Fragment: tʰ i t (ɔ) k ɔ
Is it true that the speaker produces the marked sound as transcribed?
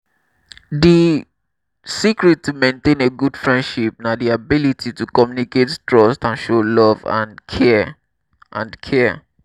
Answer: no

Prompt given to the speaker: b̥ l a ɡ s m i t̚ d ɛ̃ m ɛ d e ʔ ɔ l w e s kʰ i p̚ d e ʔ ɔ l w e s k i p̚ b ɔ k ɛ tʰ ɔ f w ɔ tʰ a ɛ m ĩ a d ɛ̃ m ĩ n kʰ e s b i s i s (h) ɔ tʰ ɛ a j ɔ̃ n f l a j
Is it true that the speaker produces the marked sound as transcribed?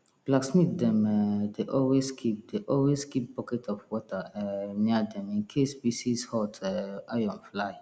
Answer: yes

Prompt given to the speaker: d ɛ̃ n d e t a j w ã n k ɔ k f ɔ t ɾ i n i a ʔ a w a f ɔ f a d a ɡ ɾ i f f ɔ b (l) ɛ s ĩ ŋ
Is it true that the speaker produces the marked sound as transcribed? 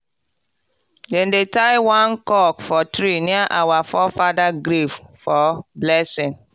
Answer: yes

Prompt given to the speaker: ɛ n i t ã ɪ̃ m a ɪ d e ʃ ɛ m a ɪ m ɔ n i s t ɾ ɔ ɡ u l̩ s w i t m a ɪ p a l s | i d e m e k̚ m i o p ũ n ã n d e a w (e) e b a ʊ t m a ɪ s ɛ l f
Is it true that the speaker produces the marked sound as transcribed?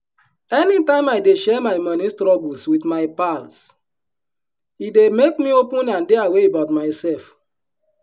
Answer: yes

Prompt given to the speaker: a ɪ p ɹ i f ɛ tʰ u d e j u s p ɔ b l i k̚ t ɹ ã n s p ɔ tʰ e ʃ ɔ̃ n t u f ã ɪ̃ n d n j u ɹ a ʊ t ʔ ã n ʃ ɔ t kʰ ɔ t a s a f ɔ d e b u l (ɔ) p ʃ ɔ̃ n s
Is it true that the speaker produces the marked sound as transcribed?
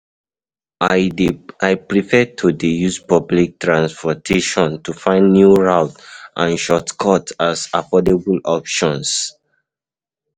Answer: yes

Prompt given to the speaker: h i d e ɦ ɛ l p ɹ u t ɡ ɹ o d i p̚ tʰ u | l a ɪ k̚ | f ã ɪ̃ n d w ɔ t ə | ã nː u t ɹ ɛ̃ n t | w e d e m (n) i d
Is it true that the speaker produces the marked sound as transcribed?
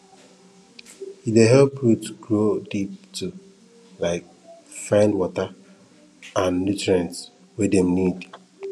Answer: yes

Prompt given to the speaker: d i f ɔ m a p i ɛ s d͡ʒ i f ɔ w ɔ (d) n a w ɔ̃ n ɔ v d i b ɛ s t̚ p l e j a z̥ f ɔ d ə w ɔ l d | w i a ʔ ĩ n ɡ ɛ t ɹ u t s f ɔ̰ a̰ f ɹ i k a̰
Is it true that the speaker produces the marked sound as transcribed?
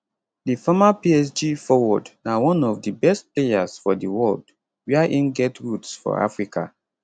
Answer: yes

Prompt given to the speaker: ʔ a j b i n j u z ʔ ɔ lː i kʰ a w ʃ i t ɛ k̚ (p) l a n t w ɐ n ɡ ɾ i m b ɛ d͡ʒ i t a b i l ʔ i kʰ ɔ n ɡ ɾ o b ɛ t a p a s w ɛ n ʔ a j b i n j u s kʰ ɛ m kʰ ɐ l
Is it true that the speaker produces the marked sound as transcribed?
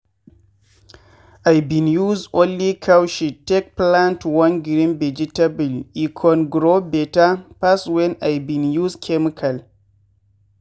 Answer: yes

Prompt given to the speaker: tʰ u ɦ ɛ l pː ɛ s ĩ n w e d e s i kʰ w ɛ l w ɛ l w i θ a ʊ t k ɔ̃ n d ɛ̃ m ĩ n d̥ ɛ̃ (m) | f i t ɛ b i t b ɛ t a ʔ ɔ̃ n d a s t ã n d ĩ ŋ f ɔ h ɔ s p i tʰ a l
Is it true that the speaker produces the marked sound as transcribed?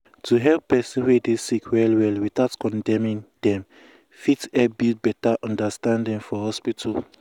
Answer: yes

